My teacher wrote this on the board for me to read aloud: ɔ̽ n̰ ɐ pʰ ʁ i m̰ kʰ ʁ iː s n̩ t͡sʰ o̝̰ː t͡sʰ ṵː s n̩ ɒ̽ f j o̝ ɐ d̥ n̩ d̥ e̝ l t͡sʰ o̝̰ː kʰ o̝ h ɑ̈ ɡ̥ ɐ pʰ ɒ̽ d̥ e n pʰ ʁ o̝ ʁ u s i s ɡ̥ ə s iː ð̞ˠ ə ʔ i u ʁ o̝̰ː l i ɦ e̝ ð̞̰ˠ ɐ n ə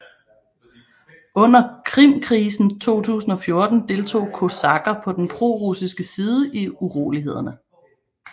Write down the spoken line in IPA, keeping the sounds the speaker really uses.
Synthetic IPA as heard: ɔ̽ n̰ ɐ kʰ ʁ i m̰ kʰ ʁ iː s n̩ t͡sʰ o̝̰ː t͡sʰ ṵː s n̩ ɒ̽ f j o̝ ɐ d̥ n̩ d̥ e̝ l t͡sʰ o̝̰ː kʰ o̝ s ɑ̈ ɡ̥ ɐ pʰ ɒ̽ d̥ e n pʰ ʁ o̝ ʁ u s i s ɡ̥ ə s iː ð̞ˠ ə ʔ i u ʁ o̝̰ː l i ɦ e̝ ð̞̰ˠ ɐ n ə